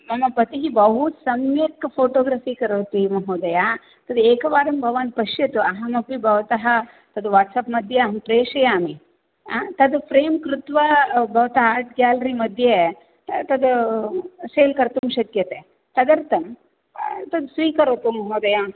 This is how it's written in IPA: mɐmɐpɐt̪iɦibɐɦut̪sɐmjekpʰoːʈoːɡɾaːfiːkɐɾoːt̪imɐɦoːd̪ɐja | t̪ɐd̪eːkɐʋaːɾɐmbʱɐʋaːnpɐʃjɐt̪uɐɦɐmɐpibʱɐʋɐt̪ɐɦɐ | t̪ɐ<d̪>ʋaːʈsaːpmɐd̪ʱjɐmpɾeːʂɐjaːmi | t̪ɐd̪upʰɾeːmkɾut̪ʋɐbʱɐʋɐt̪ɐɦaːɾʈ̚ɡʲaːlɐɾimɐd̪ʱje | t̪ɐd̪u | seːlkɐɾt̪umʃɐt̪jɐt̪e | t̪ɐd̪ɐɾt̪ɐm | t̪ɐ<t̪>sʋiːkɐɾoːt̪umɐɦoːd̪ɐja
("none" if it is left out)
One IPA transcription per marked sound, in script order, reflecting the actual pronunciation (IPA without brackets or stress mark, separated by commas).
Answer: d̪, d̪